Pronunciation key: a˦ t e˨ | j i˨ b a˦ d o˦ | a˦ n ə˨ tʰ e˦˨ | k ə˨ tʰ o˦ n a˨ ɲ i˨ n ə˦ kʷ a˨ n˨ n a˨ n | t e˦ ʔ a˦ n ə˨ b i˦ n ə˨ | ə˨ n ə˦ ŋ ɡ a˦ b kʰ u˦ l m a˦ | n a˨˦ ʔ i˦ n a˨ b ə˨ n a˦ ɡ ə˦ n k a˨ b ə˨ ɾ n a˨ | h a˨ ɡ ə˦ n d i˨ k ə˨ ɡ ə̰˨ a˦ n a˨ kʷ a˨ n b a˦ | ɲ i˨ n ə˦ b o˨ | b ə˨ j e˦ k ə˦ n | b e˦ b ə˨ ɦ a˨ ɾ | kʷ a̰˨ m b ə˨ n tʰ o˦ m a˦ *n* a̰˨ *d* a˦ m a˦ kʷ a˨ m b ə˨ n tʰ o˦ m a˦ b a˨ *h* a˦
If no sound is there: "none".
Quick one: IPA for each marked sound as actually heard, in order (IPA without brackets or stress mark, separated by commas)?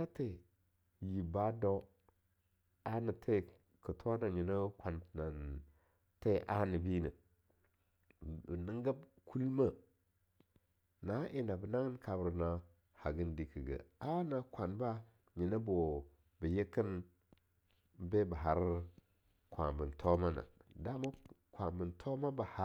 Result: n, d, h